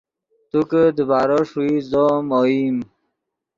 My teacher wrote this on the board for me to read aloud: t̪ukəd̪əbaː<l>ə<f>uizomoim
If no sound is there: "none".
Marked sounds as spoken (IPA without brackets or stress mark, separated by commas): ɾ, ʂ